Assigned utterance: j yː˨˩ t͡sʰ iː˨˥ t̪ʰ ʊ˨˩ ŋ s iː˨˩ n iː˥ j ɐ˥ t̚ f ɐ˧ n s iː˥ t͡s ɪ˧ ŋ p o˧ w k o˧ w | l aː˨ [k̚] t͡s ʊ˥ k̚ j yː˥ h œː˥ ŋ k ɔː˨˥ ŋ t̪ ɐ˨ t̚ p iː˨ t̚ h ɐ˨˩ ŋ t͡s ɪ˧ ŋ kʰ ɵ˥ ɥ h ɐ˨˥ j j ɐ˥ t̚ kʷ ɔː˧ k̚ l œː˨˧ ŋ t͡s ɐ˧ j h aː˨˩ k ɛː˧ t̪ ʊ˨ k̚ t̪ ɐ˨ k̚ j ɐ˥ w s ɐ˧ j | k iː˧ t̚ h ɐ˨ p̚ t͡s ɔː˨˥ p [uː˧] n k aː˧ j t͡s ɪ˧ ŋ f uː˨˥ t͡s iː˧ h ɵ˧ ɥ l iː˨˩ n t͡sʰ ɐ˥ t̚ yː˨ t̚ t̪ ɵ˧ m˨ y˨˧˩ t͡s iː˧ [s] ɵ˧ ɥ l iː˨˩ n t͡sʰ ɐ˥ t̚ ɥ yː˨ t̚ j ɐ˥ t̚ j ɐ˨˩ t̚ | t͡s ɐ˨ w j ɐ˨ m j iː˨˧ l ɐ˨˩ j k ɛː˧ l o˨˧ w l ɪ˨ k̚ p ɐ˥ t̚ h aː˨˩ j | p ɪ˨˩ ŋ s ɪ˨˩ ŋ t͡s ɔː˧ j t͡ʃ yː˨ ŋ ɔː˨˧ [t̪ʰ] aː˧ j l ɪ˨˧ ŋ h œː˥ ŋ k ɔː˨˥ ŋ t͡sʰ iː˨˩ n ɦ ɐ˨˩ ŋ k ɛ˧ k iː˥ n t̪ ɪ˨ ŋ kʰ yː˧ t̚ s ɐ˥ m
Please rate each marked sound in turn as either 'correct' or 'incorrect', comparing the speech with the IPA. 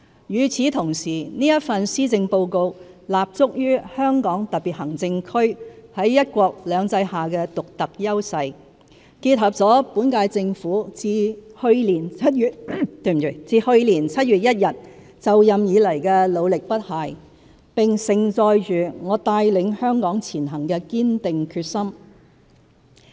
incorrect: p̚, incorrect: uː˨˥, incorrect: h, incorrect: t̪

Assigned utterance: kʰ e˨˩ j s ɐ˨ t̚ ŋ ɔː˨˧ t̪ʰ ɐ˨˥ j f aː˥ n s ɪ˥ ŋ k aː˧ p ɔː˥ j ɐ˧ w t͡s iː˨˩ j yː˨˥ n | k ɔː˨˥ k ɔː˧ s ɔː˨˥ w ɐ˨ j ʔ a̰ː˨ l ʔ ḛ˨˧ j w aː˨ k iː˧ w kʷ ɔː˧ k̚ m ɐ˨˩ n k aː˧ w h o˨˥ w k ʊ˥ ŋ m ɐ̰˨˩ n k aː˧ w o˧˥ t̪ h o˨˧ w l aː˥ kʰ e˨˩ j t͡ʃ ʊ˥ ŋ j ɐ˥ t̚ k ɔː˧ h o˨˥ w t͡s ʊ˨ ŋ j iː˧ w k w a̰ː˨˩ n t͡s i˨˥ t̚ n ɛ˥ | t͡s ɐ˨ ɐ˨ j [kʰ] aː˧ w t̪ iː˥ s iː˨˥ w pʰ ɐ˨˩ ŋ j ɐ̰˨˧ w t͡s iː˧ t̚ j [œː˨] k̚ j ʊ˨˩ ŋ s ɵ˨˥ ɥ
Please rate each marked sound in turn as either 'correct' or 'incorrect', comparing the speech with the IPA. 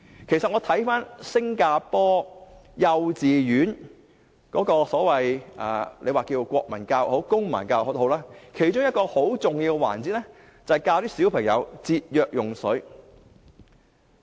incorrect: k, correct

